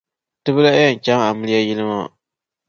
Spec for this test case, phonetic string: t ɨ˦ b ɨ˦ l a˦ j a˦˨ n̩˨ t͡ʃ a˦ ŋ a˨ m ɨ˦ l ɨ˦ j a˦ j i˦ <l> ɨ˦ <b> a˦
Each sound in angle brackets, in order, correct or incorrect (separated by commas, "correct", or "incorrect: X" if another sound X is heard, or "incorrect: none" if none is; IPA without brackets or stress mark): correct, incorrect: m